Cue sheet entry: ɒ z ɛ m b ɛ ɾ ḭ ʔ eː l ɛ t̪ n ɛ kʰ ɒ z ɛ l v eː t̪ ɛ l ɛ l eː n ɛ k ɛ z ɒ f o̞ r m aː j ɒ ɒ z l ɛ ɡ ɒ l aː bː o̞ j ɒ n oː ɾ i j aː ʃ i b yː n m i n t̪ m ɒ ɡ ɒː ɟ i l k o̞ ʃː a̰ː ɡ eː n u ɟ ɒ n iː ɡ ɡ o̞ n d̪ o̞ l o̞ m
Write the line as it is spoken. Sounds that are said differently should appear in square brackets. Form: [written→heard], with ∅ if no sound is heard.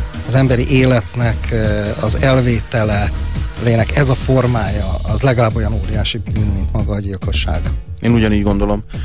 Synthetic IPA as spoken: ɒ z ɛ m b ɛ ɾ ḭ ʔ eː l ɛ t̪ n ɛ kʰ ɒ z ɛ l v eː t̪ ɛ l ɛ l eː n ɛ k ɛ z ɒ f o̞ r m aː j ɒ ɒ z l ɛ ɡ ɒ l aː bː o̞ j ɒ n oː ɾ i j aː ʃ i b yː n m i n t̪ m ɒ ɡ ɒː ɟ i l k o̞ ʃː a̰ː ɡ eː n u ɟ ɒ n iː [ɡ→ɟ] ɡ o̞ n d̪ o̞ l o̞ m